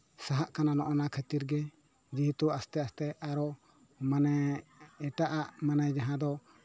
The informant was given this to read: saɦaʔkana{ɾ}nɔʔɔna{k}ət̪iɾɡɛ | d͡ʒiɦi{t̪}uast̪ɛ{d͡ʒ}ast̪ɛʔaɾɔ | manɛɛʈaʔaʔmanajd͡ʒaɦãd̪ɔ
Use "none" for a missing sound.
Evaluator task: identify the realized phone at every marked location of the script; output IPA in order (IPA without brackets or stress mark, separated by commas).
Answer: none, kʰ, t̪, none